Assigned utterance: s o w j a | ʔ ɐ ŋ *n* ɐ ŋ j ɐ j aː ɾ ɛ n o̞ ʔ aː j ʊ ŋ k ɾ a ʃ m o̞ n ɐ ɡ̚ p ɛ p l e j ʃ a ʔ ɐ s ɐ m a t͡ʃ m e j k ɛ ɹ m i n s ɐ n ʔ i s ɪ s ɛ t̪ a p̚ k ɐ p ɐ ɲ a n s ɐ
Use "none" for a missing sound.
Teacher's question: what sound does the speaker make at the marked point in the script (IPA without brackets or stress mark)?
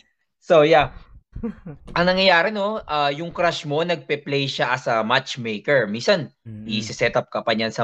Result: n